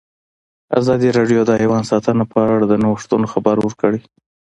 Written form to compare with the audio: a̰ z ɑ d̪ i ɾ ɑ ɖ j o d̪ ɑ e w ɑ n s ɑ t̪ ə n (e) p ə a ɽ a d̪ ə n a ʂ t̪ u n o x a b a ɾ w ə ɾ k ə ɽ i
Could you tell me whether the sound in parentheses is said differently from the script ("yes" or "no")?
yes